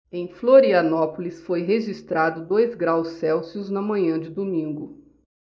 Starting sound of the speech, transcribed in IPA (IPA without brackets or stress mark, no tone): ẽ